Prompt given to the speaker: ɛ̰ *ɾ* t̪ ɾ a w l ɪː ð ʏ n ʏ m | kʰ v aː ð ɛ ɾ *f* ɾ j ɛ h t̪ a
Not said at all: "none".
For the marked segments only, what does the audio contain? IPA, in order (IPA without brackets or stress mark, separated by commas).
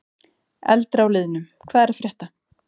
l, f